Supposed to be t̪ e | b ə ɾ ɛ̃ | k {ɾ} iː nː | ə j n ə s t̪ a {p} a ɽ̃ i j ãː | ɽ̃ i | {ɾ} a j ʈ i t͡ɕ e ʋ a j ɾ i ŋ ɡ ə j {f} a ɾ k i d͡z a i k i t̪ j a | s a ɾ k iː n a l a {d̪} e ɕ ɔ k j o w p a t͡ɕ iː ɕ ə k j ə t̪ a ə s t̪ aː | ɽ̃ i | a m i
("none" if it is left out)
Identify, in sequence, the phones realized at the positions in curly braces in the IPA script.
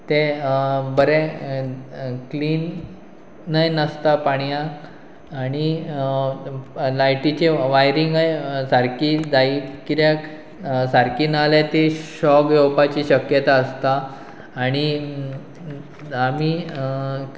l, p, l, s, t̪

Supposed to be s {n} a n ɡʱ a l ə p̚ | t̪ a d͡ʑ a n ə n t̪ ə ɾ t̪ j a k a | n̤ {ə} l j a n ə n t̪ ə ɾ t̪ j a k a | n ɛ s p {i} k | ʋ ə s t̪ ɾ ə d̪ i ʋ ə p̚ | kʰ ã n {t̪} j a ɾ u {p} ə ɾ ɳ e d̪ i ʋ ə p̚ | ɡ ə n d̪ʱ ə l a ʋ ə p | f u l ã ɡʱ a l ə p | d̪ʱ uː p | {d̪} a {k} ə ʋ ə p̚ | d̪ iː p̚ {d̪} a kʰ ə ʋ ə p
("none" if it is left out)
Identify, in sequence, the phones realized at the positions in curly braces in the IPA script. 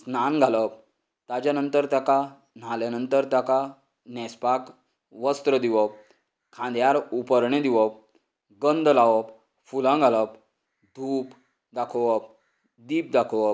n, a, a, d̪, p, d̪, kʰ, d̪

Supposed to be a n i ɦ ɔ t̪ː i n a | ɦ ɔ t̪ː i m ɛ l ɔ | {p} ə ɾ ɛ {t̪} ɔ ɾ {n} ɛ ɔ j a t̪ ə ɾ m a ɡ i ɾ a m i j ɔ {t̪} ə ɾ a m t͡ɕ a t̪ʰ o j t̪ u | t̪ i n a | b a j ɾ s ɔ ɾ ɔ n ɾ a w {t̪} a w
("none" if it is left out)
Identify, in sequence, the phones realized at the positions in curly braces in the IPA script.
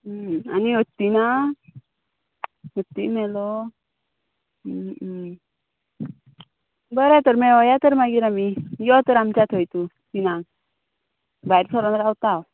b, t̪, m, t̪, t̪

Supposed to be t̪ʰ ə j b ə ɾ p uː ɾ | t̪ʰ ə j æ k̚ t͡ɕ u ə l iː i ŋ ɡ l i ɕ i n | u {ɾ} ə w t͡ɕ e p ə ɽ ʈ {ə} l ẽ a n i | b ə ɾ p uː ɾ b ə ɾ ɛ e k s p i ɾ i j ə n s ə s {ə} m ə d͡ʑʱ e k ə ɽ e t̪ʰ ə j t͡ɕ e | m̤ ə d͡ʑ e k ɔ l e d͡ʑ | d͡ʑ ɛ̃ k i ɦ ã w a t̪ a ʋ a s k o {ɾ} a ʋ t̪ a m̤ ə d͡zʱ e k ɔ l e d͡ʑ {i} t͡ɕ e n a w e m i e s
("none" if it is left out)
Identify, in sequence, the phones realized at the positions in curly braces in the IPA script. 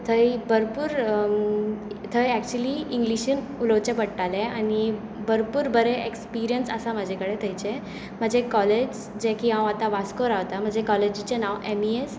l, a, a, ɾ, i

